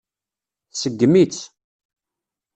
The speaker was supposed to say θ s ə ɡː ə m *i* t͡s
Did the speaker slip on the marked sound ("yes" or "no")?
no